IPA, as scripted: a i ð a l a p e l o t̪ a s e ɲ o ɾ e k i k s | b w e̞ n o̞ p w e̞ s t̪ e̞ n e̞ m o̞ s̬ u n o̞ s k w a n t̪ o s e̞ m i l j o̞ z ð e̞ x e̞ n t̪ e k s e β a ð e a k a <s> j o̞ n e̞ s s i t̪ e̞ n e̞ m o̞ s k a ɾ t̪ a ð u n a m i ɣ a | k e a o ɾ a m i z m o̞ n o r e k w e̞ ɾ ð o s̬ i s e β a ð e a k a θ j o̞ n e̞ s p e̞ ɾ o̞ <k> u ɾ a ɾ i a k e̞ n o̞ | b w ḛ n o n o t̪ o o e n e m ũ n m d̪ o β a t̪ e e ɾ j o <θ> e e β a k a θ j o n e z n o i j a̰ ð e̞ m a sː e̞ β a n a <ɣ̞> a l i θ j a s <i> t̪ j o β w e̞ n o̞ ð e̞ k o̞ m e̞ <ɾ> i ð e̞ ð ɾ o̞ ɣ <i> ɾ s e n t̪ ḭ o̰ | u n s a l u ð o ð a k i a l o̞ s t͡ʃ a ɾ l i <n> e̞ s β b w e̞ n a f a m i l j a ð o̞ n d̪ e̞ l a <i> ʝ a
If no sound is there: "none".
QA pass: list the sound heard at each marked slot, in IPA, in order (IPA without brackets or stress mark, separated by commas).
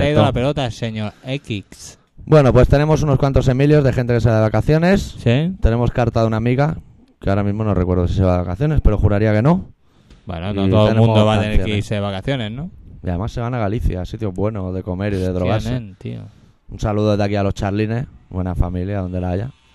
θ, x, s, ɣ̞, i, ɾ, a, n, a